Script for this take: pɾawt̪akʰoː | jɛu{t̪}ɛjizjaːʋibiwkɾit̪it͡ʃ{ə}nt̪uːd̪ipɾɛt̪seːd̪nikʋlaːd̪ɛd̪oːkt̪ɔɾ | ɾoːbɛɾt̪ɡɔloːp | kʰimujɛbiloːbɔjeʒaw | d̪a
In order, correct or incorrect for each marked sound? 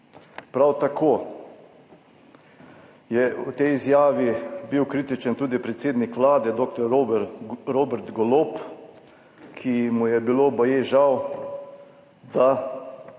correct, correct

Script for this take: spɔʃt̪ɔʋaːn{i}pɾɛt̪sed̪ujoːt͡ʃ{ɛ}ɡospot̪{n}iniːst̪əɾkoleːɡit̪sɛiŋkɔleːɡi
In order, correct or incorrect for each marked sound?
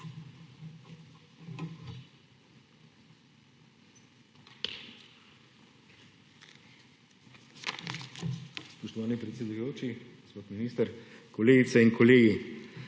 correct, incorrect, incorrect

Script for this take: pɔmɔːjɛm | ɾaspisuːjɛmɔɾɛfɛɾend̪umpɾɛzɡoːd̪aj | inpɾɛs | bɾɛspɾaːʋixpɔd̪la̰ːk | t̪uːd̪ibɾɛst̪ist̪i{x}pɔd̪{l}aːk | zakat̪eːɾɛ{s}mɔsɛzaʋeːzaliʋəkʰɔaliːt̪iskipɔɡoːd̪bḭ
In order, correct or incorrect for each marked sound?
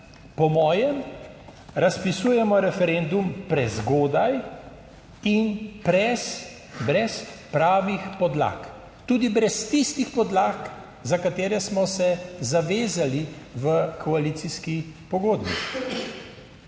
correct, correct, correct

